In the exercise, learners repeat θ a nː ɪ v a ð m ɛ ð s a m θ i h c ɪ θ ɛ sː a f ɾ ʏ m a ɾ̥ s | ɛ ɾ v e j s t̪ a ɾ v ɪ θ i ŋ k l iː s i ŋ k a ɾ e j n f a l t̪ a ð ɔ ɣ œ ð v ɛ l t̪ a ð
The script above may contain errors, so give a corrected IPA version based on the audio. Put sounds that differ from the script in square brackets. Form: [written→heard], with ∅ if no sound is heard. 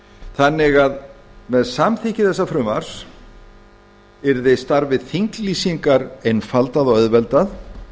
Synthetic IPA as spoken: θ a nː ɪ [v→ɣ] a ð m ɛ ð s a m θ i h c ɪ θ ɛ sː a f ɾ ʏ m a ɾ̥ s | ɛ ɾ [v→ð] e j s t̪ a ɾ v ɪ θ i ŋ k l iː s i ŋ k a ɾ e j n f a l t̪ a ð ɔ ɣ œ ð v ɛ l t̪ a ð